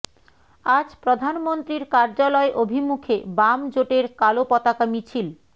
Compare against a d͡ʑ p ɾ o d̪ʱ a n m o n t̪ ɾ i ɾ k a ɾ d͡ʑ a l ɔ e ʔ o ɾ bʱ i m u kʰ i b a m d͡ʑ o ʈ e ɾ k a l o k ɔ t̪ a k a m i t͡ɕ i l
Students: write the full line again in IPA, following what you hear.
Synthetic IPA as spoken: a d͡ʑ p ɾ o d̪ʱ a n m o n t̪ ɾ i ɾ k a ɾ d͡ʑ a l ɔ e ʔ o bʱ i m u kʰ e b a m d͡ʑ o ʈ e ɾ k a l o p ɔ t̪ a k a m i t͡ɕʰ i l